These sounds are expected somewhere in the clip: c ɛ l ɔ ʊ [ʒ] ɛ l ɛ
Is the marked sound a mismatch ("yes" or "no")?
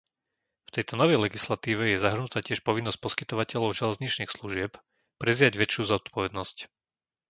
no